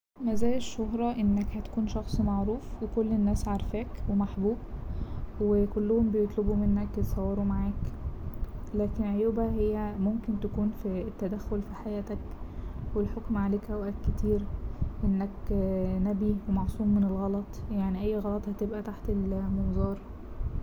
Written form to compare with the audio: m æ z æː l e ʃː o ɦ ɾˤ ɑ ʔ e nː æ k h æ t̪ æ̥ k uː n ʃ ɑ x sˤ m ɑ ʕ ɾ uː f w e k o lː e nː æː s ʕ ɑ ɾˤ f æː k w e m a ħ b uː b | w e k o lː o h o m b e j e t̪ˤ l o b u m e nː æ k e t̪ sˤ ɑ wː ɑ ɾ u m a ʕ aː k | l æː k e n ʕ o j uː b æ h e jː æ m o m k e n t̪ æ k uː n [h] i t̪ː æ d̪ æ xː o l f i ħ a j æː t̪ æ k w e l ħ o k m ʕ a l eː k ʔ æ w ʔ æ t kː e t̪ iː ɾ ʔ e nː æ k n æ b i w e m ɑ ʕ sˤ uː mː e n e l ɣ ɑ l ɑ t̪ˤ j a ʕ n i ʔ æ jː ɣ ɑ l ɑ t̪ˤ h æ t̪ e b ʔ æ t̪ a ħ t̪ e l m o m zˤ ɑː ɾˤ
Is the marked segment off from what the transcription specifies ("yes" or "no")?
yes